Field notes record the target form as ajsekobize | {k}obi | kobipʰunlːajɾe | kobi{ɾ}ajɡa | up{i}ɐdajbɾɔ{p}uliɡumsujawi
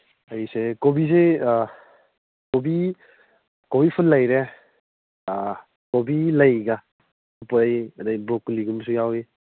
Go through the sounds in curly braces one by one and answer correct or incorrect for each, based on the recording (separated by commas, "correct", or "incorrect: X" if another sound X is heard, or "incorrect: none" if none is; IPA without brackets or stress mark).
correct, incorrect: l, incorrect: j, incorrect: k